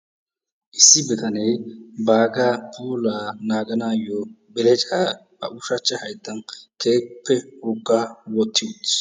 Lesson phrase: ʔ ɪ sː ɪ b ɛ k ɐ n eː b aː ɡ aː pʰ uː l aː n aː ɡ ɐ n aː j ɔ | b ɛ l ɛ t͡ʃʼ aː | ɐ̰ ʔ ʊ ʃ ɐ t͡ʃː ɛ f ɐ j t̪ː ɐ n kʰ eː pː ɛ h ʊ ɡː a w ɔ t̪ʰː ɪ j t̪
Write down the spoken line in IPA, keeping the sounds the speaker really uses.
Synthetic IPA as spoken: ʔ ɪ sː ɪ b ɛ k ɐ n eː b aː ɡ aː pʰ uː l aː n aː ɡ ɐ n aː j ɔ | b ɛ l ɛ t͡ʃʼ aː | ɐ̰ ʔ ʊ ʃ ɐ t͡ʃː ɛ h ɐ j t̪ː ɐ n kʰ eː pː ɛ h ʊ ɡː a w ɔ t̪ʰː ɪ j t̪